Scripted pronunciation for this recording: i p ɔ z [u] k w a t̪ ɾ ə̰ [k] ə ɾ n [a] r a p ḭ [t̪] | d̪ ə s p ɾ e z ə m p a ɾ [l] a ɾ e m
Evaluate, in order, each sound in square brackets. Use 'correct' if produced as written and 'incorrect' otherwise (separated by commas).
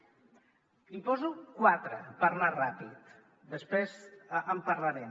correct, incorrect, correct, correct, correct